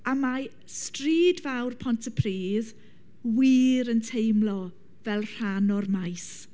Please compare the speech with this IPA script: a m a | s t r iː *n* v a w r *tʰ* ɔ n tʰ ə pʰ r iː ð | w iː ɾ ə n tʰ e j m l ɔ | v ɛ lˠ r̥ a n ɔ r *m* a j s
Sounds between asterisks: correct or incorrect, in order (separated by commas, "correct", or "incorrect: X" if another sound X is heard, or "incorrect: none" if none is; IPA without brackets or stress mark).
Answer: incorrect: d, incorrect: pʰ, correct